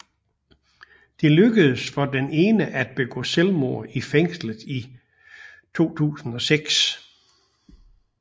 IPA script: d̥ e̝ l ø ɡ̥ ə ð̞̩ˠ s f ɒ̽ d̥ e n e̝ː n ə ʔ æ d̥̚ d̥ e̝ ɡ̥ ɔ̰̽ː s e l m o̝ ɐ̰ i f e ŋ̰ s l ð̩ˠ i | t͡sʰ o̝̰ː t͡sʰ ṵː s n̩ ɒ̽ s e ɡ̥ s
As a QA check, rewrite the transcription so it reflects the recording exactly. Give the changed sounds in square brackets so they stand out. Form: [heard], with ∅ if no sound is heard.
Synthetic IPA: d̥ e̝ l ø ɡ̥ ə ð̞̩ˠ s f ɒ̽ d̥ e n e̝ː n ə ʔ æ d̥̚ [b̥] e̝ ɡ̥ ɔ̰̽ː s e l m o̝ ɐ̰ i f e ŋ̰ s l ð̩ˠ i | t͡sʰ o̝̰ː t͡sʰ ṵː s n̩ ɒ̽ s e ɡ̥ s

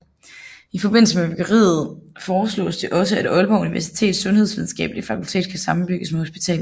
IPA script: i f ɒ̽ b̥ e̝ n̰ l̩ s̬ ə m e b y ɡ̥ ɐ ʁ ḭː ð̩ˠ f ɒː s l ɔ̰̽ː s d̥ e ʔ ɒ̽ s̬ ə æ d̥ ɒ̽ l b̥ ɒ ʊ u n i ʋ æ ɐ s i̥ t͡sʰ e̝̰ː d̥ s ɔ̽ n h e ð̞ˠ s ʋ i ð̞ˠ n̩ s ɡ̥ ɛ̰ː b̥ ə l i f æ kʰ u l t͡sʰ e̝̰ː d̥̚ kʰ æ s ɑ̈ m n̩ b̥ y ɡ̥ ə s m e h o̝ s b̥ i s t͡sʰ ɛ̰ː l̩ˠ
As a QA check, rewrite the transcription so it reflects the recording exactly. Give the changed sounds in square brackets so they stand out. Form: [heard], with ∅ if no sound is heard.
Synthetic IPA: i f ɒ̽ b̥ e̝ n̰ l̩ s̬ ə m e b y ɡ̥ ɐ ʁ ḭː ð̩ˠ f ɒː s l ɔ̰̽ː s d̥ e ʔ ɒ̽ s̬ ə æ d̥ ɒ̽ l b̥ ɒ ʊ u n i ʋ æ ɐ s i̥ t͡sʰ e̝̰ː d̥ s ɔ̽ n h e ð̞ˠ s ʋ i ð̞ˠ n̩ s ɡ̥ ɛ̰ː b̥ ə l i f æ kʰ u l t͡sʰ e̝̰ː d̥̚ kʰ æ s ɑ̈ m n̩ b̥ y ɡ̥ ə s m e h o̝ s b̥ i [∅] t͡sʰ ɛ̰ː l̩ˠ

